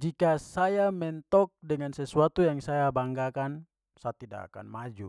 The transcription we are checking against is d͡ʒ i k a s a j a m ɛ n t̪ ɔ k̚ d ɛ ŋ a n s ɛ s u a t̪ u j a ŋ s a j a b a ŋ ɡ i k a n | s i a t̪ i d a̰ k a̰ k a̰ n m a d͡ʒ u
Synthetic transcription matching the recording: d͡ʒ i k a s a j a m ɛ n t̪ ɔ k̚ d ɛ ŋ a n s ɛ s u a t̪ u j a ŋ s a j a b a ŋ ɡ a k a n | s a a t̪ i d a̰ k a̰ k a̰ n m a d͡ʒ u